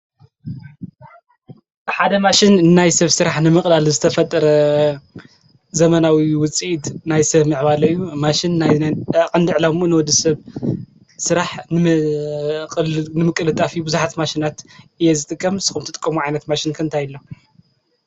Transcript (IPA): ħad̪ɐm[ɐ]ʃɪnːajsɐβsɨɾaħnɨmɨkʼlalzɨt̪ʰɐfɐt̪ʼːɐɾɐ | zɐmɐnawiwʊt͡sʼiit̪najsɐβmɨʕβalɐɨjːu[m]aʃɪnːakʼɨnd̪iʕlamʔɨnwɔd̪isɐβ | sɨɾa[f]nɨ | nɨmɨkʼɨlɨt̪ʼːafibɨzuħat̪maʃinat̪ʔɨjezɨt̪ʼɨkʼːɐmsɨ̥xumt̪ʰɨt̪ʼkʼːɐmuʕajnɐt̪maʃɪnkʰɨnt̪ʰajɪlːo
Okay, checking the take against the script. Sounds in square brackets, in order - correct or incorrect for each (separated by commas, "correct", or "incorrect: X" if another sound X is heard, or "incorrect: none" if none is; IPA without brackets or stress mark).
incorrect: a, correct, incorrect: ħ